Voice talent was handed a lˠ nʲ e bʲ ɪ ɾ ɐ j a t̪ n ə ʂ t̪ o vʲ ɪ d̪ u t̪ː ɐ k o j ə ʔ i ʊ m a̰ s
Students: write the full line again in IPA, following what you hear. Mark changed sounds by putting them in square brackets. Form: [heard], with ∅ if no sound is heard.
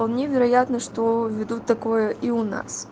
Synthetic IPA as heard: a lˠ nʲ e [vʲ] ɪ ɾ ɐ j a t̪ n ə ʂ t̪ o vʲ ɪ d̪ u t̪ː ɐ k o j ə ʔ i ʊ [n] a̰ s